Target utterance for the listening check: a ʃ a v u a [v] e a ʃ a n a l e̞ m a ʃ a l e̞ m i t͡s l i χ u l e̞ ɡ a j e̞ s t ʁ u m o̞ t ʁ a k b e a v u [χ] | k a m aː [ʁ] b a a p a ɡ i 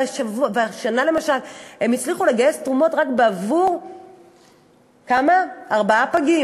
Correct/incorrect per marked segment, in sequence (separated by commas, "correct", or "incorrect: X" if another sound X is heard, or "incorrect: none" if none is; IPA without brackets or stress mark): correct, incorrect: ʁ, correct